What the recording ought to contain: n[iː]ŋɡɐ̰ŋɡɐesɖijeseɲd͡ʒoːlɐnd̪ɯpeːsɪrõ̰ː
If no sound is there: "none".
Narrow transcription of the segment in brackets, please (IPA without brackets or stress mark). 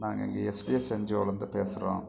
aː